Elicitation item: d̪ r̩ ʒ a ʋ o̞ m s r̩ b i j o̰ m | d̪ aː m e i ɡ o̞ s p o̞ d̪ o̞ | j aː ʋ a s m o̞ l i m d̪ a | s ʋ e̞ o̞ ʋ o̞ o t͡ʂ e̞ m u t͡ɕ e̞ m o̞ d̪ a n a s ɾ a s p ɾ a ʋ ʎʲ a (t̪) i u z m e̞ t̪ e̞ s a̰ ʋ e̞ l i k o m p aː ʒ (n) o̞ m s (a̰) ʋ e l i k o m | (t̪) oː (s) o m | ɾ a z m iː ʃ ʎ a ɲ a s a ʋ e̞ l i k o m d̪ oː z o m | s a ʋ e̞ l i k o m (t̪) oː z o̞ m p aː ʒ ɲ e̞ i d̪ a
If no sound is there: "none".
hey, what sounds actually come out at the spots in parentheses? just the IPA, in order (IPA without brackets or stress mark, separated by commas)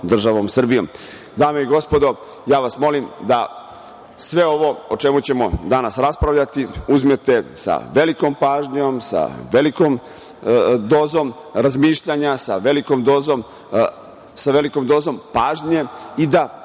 t̪, ɲ, a̰, d̪, z, d̪